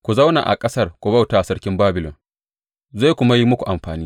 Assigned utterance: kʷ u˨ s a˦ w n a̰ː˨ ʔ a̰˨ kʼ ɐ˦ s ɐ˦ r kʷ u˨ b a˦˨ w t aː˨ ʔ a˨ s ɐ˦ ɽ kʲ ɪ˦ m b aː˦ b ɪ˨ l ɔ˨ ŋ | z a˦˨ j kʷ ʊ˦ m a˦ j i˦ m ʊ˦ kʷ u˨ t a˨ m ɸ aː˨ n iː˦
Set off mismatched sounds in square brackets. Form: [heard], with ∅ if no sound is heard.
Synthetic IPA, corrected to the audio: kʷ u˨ [z] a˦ w n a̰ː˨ ʔ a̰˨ kʼ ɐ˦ s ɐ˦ r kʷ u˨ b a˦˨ w t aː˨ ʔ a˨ s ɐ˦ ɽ kʲ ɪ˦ m b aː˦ b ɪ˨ l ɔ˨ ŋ | z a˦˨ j kʷ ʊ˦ m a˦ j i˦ m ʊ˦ kʷ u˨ [ʔ] a˨ m ɸ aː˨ n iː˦

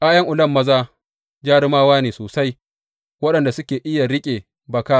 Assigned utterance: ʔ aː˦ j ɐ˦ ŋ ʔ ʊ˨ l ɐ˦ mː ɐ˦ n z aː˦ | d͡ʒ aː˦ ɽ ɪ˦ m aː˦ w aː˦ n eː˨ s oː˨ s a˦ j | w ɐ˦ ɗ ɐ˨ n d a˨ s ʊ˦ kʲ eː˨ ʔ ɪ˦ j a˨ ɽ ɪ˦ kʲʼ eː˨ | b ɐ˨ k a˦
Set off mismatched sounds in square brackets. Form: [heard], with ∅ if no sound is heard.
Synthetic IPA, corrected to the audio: ʔ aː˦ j ɐ˦ ŋ ʔ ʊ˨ l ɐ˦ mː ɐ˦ [∅] z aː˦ | d͡ʒ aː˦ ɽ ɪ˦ m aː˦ w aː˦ n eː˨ s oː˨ s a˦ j | w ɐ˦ ɗ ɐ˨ n d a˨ s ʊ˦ kʲ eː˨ ʔ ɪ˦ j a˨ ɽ ɪ˦ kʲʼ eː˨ | b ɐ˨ k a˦

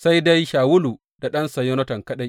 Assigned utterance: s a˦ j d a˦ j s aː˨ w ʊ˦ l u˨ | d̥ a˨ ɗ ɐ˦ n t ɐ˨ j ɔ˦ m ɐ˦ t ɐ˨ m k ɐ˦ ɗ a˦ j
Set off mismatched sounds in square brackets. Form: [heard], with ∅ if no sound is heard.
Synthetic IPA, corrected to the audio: s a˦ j d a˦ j [ʃ] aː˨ w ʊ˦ l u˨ | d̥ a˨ ɗ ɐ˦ n [s] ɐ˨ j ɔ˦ [n] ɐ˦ t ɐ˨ [ŋ] k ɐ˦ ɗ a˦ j

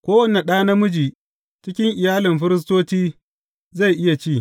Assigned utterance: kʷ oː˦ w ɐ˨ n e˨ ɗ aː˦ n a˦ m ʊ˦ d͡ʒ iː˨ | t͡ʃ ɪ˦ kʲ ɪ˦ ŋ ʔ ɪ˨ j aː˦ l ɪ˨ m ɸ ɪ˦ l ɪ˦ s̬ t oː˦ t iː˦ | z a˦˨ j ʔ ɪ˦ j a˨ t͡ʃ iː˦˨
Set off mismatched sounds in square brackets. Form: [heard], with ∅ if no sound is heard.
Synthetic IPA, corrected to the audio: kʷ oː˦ w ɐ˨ n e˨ ɗ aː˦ n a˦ m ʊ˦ d͡ʒ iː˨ | t͡ʃ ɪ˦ kʲ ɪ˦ ŋ ʔ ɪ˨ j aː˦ l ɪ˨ m ɸ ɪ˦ [ɾ] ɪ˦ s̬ t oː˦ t iː˦ | z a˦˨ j ʔ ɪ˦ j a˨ t͡ʃ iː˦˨

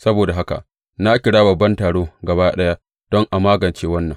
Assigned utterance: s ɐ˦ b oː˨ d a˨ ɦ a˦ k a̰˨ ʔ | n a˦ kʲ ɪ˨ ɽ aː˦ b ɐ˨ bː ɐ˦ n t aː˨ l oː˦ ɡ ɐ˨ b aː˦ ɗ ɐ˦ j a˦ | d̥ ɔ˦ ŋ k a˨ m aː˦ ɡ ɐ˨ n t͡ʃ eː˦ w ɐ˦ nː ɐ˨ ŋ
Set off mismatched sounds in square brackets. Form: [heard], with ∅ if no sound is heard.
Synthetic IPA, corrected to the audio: s ɐ˦ b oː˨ d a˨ ɦ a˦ k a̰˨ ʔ | n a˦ kʲ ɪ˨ ɽ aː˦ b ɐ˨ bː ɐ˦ n t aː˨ [ɽ] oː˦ ɡ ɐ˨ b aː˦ ɗ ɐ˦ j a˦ | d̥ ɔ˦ ŋ [ʔ] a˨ m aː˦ ɡ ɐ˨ n t͡ʃ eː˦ w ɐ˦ nː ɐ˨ ŋ

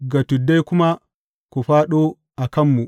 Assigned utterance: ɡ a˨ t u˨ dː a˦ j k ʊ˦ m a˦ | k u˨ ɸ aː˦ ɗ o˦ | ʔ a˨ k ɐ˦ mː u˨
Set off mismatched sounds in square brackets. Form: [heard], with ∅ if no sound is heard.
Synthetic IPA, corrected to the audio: ɡ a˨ t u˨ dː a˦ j k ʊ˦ m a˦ | k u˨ ɸ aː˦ ɗ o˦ | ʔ a˨ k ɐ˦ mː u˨

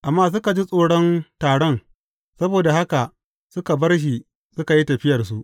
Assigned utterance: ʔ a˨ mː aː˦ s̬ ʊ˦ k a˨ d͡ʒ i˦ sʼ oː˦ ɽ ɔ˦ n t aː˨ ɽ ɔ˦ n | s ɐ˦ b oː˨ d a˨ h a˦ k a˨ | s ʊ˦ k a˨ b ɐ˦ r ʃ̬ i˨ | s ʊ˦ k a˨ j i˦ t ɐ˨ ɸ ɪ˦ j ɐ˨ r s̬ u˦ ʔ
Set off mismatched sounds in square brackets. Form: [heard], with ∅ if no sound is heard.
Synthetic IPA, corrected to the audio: ʔ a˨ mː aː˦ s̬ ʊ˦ k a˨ d͡ʒ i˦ sʼ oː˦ ɽ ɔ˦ n t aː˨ ɽ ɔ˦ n | s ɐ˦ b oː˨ d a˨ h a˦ k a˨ | s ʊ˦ k a˨ b ɐ˦ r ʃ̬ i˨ | s ʊ˦ k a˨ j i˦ t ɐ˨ ɸ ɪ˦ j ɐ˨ r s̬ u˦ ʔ

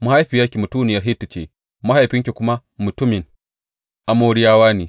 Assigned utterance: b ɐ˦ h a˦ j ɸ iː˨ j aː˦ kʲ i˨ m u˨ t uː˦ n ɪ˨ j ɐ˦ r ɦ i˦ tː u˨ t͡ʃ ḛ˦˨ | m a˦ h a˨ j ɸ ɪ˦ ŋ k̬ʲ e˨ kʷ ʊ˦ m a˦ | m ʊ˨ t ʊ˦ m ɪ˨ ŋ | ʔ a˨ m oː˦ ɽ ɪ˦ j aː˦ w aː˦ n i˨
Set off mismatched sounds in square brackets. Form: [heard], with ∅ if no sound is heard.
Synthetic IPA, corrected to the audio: [m] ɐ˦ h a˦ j ɸ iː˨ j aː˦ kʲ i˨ m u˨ t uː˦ n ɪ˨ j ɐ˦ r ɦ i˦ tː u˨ t͡ʃ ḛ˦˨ | m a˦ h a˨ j ɸ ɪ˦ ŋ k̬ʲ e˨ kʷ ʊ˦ m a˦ | m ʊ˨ t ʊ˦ m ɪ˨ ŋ | ʔ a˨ m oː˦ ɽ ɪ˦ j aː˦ w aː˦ n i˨

